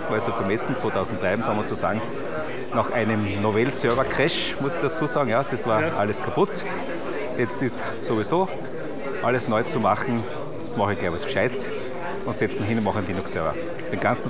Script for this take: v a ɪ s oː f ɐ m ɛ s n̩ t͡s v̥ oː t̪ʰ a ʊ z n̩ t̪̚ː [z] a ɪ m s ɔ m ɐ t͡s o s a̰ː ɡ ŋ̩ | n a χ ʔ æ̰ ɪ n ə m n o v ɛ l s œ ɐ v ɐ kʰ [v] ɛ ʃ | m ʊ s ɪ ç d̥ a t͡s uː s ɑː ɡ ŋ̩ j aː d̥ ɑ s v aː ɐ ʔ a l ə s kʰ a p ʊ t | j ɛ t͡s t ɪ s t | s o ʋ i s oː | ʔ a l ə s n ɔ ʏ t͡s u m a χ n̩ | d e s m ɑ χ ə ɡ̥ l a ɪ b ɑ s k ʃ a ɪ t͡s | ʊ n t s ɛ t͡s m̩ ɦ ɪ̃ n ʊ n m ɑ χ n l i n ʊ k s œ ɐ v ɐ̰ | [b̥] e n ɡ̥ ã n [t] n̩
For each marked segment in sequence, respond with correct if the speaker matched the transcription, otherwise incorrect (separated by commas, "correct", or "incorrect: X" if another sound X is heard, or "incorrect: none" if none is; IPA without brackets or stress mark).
incorrect: ʁ, incorrect: ʁ, incorrect: d̥, incorrect: t͡s